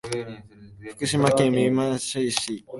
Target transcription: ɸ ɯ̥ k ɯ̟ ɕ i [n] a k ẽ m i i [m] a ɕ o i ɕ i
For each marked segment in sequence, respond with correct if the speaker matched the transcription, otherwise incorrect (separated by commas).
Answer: incorrect, correct